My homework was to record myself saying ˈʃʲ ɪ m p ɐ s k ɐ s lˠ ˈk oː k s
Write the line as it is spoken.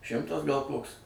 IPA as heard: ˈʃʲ ɪ m t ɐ s ɡ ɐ lˠ ˈk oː k s